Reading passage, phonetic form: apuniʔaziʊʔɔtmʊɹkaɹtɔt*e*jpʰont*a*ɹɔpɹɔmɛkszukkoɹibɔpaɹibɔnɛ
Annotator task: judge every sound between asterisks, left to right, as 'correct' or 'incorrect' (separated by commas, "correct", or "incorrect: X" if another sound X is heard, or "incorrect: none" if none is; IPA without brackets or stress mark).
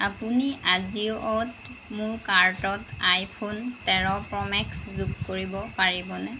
incorrect: a, incorrect: ɛ